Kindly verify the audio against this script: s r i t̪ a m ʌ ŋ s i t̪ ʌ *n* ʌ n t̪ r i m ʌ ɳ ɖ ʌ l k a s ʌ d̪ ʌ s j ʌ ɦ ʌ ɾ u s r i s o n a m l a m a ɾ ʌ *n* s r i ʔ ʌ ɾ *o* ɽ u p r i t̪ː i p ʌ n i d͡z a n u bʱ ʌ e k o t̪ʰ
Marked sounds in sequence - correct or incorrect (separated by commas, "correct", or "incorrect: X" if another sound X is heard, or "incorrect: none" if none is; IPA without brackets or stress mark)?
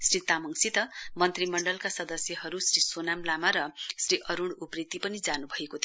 incorrect: m, incorrect: none, incorrect: u